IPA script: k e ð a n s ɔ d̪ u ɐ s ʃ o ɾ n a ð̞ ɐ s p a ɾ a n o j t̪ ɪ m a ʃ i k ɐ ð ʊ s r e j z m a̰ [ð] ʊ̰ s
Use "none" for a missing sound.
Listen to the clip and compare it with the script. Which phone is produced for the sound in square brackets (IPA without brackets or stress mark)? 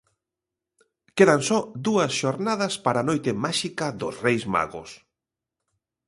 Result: ɣ